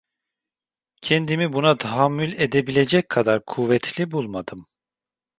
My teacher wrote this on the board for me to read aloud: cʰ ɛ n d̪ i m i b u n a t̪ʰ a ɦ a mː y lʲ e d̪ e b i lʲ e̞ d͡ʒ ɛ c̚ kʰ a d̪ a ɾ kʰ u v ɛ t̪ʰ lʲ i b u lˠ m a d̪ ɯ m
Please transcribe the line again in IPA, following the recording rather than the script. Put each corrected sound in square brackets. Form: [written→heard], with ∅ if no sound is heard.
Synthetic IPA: cʰ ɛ n d̪ i m i b u n a t̪ʰ a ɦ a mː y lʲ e d̪ e b i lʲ e̞ d͡ʒ ɛ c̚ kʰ a d̪ a ɾ kʰ u v ɛ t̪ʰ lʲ i b u lˠ m a d̪ ɯ m